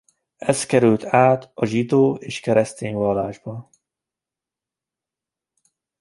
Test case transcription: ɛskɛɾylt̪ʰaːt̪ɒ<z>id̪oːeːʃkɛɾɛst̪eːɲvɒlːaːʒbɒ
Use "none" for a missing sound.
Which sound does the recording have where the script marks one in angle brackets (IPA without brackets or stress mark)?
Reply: ʒ